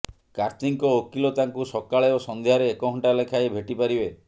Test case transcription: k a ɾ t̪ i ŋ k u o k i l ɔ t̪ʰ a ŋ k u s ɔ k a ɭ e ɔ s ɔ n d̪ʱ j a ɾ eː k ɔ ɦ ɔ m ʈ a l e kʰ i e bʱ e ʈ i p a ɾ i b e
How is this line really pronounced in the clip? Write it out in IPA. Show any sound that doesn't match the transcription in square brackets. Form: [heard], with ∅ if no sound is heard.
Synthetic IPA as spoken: k a ɾ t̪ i ŋ k [ɔ] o k i l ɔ [t̪] a ŋ k u s ɔ k a ɭ e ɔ s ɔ n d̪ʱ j a ɾ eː k ɔ ɦ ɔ [ɳ] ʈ a l e kʰ [a] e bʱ e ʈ i p a ɾ i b e